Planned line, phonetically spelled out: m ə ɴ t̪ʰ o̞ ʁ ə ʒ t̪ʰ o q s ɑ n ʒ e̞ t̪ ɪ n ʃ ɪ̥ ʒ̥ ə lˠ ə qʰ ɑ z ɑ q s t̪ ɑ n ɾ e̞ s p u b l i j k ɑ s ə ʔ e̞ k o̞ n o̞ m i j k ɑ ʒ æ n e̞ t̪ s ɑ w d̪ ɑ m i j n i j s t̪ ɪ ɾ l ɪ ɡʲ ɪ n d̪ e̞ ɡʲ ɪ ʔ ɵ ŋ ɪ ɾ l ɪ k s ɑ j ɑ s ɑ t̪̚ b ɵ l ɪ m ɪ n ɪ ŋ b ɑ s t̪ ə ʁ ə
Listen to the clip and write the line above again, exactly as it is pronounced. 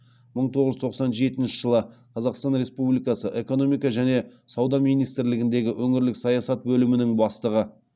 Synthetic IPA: m ə ɴ t̪ʰ o̞ ʁ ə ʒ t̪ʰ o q s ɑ n ʒ e̞ t̪ ɪ n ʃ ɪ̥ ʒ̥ ə lˠ ə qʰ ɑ z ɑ q s t̪ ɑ n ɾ e̞ s p u b l i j k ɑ s ə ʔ e̞ k o̞ n o̞ m i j k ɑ ʒ æ n e̞ s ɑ w d̪ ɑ m i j n i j s t̪ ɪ ɾ l ɪ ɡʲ ɪ n d̪ e̞ ɡʲ ɪ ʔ ɵ ŋ ɪ ɾ l ɪ k s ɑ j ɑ s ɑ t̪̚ b ɵ l ɪ m ɪ n ɪ ŋ b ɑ s t̪ ə ʁ ə